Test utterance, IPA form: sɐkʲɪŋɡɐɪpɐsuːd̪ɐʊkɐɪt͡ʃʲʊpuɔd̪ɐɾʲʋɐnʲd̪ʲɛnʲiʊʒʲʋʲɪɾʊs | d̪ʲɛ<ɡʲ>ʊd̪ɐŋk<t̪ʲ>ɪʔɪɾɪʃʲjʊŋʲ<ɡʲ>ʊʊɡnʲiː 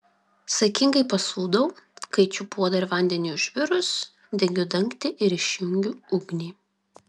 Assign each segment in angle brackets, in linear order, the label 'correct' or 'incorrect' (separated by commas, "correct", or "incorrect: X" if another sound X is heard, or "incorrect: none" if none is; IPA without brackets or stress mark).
correct, correct, correct